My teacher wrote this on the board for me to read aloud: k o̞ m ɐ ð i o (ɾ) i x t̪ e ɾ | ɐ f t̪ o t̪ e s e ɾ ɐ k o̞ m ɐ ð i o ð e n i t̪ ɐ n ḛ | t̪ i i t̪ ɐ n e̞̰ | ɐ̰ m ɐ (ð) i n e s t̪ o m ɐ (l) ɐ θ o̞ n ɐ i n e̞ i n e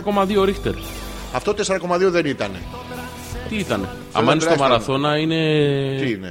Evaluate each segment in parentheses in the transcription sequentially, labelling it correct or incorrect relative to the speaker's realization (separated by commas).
correct, incorrect, incorrect